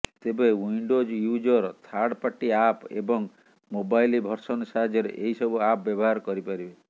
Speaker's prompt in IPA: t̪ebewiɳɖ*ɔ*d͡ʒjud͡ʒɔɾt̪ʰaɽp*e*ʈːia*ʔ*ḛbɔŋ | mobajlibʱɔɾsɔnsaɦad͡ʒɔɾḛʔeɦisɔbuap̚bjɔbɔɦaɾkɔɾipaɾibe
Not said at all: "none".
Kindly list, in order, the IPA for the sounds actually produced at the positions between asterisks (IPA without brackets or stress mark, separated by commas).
o, a, p